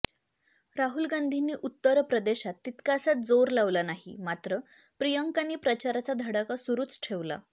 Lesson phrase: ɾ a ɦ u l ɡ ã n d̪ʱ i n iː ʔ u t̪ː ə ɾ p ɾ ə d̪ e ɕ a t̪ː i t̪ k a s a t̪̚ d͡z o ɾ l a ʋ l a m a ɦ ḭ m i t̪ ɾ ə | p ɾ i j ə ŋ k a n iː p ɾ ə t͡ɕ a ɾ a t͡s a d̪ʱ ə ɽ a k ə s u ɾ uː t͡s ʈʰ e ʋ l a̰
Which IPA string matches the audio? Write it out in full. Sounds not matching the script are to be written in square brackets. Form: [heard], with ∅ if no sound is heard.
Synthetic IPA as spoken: ɾ a ɦ u l ɡ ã n d̪ʱ i n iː ʔ u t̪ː ə ɾ p ɾ ə d̪ e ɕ a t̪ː i t̪ k a s a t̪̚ d͡z o ɾ l a ʋ l a [n] a ɦ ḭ m [a] t̪ ɾ ə | p ɾ i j ə ŋ k a n iː p ɾ ə t͡ɕ a ɾ a t͡s a d̪ʱ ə ɽ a k [a] s u ɾ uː t͡s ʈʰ e ʋ l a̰